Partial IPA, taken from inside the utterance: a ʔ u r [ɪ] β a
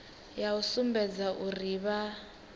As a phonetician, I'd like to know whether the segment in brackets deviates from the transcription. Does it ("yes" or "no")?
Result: yes